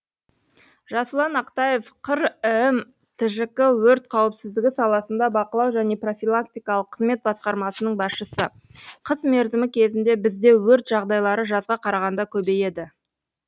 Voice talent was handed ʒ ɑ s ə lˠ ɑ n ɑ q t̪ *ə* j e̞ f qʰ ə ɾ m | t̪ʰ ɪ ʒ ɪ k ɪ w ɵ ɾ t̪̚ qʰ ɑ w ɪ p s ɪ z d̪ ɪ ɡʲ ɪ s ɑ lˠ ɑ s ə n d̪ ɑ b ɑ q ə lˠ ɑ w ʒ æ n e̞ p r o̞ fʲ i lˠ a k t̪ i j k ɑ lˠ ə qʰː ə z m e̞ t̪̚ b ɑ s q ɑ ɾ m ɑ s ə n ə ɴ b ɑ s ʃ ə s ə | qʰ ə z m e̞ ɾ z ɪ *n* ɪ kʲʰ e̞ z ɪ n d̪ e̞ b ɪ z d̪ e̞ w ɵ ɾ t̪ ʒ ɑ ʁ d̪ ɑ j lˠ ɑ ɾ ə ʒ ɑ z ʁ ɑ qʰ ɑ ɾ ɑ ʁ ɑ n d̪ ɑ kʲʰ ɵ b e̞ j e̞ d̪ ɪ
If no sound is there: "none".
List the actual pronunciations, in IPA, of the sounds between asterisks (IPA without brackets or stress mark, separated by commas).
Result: ɑ, m